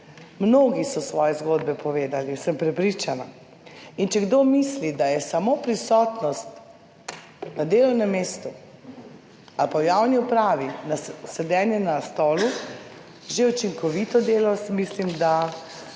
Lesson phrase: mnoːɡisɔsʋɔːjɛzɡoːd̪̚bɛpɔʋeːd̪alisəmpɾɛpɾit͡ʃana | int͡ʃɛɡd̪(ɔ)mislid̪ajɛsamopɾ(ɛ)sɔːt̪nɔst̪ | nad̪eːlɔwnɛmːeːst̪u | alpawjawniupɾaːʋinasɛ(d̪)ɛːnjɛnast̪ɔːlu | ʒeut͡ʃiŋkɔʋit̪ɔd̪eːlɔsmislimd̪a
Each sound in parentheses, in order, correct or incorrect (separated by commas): incorrect, incorrect, correct